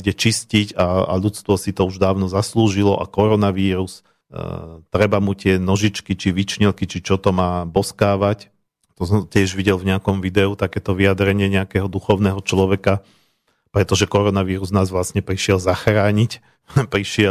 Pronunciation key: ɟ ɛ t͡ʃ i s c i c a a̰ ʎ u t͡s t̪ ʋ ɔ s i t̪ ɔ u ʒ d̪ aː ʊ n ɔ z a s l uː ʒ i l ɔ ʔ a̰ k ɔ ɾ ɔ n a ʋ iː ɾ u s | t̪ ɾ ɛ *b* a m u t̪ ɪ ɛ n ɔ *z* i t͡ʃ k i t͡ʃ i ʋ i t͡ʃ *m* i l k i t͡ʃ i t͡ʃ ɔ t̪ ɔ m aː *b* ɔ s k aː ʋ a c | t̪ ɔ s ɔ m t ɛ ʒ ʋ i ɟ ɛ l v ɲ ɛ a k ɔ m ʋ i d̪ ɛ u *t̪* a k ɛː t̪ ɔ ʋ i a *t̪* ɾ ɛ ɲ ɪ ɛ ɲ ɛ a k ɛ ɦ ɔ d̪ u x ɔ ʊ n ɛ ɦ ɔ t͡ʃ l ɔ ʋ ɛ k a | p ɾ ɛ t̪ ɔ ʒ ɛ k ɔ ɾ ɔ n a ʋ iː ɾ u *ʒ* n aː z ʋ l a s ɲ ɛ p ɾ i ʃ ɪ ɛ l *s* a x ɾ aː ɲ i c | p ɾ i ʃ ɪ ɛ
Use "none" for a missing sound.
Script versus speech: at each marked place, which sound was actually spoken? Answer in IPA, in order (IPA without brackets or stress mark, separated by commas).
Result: b, ʒ, ɲ, b, t̪, d̪, z, z